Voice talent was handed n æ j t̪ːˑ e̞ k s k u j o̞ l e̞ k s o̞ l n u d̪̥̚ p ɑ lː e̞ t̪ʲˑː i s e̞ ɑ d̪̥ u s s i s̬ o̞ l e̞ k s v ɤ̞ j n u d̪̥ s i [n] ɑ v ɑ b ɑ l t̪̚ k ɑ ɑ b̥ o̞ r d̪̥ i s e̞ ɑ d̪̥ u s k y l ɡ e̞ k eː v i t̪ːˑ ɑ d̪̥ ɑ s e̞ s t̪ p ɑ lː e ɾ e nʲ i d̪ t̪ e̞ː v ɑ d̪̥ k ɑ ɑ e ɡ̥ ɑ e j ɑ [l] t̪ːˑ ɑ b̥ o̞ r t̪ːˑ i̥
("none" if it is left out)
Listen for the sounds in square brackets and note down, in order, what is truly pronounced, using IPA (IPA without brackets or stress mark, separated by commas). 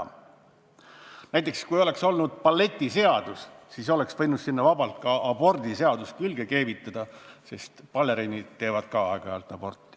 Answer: nː, l